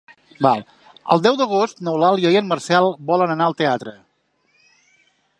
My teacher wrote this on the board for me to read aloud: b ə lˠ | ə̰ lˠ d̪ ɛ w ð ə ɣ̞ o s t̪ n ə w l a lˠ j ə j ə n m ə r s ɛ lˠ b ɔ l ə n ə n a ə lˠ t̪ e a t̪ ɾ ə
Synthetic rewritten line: b a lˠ | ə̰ lˠ d̪ ɛ w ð ə ɣ̞ o s t̪ n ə w l a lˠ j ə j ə n m ə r s ɛ lˠ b ɔ l ə n ə n a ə lˠ t̪ e a t̪ ɾ ə